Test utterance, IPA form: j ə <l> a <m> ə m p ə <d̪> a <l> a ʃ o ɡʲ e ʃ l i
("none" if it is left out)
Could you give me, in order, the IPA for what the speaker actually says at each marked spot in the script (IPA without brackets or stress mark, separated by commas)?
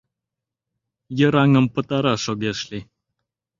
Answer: ɾ, ŋ, t̪, ɾ